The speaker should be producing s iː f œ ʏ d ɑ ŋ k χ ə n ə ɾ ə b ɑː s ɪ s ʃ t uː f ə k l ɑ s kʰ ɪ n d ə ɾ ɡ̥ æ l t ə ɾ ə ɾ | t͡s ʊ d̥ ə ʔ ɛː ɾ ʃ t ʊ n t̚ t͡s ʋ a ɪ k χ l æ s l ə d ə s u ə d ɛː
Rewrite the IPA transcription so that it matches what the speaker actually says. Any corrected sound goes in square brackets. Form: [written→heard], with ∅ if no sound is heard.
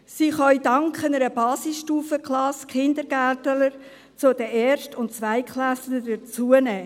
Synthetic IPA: s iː [f→χ] œ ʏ d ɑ ŋ k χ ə n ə ɾ ə b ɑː s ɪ s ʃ t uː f ə k l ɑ s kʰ ɪ n d ə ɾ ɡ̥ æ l t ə [ɾ→l] ə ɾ | t͡s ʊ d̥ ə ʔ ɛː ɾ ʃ t ʊ n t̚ t͡s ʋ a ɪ k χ l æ s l ə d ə [s→t͡s] u ə [d→n] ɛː